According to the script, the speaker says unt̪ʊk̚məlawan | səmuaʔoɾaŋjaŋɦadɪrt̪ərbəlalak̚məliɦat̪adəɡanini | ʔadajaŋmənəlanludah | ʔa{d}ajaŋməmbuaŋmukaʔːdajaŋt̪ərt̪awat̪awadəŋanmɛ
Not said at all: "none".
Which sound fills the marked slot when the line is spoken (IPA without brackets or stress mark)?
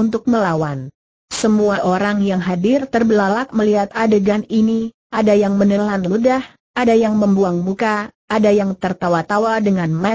d